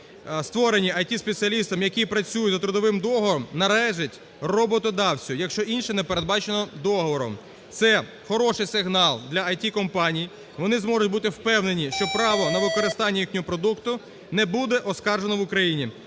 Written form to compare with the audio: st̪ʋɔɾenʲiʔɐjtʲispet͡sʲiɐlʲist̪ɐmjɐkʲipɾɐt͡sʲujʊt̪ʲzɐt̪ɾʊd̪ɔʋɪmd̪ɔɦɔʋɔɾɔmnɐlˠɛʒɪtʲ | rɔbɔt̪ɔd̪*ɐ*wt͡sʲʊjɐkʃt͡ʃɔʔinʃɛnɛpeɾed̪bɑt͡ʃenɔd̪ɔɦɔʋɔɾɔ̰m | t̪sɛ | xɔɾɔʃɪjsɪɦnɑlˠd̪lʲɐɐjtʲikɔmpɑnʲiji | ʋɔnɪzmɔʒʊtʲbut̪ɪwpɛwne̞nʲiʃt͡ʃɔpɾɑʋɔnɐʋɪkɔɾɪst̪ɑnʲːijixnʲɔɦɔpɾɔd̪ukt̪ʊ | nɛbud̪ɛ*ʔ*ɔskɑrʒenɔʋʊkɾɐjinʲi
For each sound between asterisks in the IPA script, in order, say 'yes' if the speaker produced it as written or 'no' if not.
no, yes

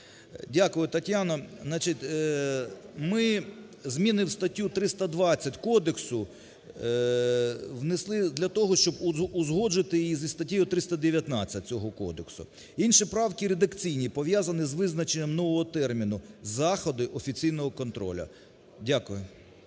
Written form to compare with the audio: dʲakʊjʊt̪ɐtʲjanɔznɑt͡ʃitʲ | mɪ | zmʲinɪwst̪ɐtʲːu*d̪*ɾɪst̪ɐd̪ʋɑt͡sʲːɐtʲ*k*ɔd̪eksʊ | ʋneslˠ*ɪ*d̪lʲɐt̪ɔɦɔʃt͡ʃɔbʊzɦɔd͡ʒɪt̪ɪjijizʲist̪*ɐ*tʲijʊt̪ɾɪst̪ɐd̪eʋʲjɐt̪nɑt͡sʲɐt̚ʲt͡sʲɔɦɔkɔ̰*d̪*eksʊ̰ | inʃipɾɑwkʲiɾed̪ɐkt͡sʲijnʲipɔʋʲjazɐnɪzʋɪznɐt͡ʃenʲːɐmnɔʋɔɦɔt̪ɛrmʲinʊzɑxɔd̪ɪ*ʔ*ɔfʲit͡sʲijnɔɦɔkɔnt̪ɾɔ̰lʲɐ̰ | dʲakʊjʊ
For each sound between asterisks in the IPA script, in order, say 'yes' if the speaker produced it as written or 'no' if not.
no, yes, yes, yes, yes, yes

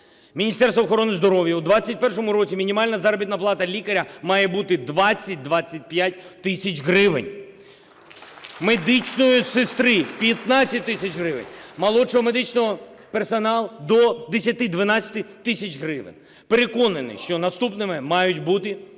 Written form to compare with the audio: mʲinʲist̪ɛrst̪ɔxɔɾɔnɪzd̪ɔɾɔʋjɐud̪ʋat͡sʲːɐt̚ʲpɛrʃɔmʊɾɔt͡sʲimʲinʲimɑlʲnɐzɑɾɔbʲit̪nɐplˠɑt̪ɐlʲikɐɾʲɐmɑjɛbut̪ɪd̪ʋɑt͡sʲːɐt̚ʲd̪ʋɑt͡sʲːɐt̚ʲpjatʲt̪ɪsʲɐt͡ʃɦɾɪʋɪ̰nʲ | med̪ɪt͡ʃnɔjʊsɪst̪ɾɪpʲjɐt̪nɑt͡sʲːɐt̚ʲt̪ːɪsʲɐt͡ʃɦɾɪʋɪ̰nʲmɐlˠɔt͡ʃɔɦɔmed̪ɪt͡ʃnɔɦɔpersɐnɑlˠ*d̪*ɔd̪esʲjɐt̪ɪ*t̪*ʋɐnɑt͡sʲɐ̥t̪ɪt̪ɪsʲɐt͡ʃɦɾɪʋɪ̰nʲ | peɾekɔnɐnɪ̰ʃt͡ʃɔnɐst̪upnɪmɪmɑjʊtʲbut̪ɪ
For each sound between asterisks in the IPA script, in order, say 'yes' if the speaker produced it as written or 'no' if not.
yes, no

